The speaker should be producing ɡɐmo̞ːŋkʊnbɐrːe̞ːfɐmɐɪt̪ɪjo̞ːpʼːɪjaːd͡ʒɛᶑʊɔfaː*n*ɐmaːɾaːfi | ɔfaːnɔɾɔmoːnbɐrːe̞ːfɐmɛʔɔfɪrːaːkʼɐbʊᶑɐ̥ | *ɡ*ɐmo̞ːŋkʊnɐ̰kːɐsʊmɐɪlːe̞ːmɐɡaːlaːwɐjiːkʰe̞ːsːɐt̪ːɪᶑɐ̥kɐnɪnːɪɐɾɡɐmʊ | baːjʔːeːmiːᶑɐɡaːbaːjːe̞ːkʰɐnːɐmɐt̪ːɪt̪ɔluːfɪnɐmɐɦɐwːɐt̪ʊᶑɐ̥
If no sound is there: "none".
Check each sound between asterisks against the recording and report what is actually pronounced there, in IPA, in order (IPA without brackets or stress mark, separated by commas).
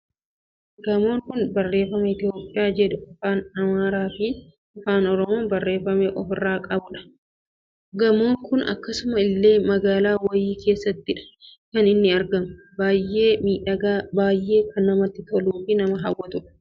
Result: n, ɡ